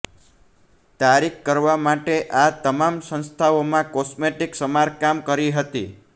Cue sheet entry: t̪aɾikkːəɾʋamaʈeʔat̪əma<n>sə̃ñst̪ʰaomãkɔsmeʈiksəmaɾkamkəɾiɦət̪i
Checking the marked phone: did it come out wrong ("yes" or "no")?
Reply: yes